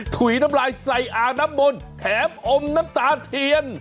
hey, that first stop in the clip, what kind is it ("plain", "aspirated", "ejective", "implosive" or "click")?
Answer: aspirated